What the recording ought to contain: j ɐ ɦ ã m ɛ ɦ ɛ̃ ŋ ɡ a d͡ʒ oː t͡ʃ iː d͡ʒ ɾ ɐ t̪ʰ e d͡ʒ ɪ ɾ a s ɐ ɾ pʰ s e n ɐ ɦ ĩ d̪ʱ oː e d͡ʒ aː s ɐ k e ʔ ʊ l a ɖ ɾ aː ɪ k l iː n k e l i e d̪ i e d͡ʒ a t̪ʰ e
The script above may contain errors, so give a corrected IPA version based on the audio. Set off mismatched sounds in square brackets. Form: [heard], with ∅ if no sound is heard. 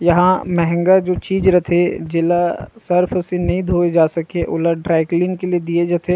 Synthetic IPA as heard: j ɐ ɦ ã m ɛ ɦ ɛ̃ ŋ ɡ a d͡ʒ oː t͡ʃ iː d͡ʒ ɾ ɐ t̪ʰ e d͡ʒ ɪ [l] a s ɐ ɾ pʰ s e n ɐ ɦ ĩ d̪ʱ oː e d͡ʒ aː s ɐ k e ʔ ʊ l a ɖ ɾ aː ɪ k l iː n k e l i e d̪ i e d͡ʒ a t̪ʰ e

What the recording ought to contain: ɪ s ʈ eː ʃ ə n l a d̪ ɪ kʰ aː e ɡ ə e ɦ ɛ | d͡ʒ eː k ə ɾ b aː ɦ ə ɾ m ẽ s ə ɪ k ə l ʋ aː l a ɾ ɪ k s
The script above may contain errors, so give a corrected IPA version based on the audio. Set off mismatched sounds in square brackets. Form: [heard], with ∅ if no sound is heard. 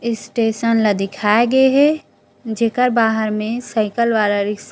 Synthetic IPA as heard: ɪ s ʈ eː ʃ ə n l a d̪ ɪ kʰ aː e ɡ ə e ɦ ɛ | d͡ʒ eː k ə ɾ b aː ɦ ə ɾ m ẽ s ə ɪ k ə l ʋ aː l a ɾ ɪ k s

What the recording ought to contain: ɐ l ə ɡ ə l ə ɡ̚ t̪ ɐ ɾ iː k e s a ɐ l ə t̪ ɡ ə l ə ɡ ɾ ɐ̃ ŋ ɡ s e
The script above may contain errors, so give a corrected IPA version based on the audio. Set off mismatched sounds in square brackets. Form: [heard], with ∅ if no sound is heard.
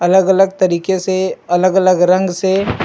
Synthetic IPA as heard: ɐ l ə ɡ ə l ə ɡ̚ t̪ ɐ ɾ iː k e s [e] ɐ l ə [∅] ɡ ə l ə ɡ ɾ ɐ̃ ŋ ɡ s e

